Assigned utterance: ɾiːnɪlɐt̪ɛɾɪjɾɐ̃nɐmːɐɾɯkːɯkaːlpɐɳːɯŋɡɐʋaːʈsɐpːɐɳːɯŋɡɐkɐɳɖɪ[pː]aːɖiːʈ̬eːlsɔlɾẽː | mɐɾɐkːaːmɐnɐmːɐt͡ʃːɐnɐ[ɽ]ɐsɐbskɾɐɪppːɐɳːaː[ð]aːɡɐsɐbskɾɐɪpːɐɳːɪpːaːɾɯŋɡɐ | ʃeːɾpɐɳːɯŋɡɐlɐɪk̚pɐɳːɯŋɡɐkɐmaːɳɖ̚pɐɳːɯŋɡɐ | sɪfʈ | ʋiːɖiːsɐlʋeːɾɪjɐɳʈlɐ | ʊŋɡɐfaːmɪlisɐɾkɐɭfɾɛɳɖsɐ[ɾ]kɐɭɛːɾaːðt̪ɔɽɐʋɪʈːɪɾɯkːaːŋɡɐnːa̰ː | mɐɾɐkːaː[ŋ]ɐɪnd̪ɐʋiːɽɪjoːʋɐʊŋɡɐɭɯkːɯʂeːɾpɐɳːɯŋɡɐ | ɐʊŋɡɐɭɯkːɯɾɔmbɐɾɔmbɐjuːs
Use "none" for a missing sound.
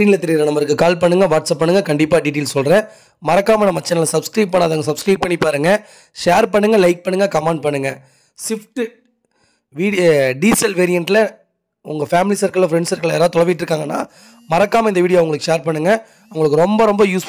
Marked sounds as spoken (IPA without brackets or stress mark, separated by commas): pː, l, ð, ɾ, m